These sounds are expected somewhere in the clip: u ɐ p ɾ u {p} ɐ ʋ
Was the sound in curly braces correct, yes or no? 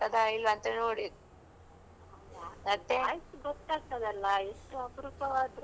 yes